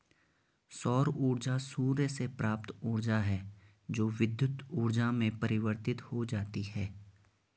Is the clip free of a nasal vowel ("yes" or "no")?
no